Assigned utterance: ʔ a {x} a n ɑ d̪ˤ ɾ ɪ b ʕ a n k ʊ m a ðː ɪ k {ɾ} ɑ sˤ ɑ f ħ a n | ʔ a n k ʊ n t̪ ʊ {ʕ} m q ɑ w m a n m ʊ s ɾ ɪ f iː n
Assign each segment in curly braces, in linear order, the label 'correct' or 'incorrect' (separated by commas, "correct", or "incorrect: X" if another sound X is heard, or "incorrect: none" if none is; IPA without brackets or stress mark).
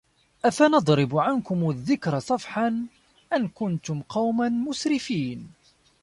incorrect: f, correct, incorrect: none